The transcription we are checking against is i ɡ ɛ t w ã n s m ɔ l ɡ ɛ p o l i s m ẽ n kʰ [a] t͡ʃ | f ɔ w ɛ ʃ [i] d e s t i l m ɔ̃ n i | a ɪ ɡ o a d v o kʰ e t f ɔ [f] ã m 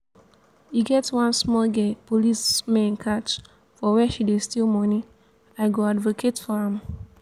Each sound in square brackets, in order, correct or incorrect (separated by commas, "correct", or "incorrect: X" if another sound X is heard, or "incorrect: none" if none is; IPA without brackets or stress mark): correct, correct, incorrect: none